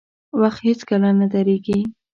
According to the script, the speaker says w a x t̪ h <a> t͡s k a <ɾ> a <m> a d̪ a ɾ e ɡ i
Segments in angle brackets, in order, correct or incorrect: incorrect: e, incorrect: l, incorrect: n

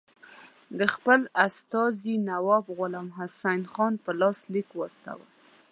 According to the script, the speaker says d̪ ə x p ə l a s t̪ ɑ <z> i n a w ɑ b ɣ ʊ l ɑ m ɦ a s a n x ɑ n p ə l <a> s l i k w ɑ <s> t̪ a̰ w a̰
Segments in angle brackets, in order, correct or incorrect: correct, incorrect: ɑ, correct

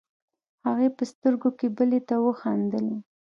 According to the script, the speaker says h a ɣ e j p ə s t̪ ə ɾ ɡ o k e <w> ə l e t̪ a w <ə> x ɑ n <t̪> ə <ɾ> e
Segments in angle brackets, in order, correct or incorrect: incorrect: b, correct, incorrect: d̪, incorrect: l

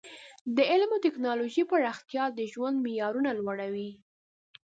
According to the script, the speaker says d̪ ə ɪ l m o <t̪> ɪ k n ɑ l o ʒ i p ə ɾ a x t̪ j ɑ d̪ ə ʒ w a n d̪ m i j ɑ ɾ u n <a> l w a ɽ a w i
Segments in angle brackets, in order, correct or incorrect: correct, correct

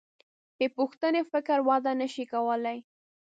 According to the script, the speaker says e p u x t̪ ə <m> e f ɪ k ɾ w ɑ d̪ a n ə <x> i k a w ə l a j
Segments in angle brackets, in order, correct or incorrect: incorrect: n, incorrect: ʃ

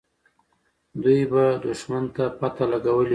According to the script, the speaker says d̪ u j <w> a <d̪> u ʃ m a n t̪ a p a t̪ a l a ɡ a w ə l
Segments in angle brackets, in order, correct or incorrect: incorrect: b, correct

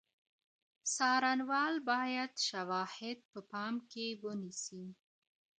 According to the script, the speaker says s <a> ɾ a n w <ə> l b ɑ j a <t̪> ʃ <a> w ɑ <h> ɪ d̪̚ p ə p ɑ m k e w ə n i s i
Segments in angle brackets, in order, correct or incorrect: incorrect: ɑ, incorrect: ɑ, incorrect: d̪, correct, correct

